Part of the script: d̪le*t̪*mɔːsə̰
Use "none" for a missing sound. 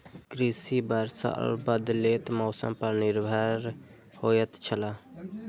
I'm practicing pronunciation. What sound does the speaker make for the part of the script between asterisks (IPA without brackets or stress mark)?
t̪